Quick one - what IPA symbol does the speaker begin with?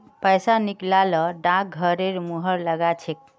p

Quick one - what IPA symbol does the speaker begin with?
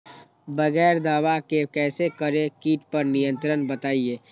b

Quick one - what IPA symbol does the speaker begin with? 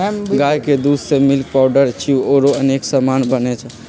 ɡ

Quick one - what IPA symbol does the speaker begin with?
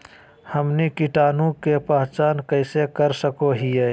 h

